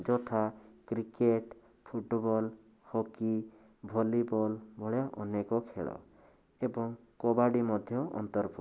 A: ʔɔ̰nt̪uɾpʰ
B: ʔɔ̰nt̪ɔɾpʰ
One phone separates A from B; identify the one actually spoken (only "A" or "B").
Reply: B